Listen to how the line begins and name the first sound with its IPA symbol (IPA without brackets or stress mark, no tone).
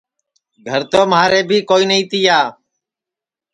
ɡʱ